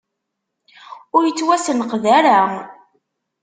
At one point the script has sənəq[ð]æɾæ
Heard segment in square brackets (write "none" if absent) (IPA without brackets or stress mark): ð